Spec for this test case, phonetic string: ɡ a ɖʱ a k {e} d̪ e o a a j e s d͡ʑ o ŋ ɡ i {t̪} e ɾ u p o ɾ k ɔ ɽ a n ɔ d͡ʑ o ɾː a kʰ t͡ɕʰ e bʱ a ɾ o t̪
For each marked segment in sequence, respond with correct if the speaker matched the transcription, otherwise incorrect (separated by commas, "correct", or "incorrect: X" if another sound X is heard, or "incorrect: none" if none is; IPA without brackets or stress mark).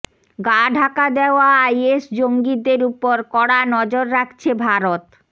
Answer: incorrect: a, incorrect: d̪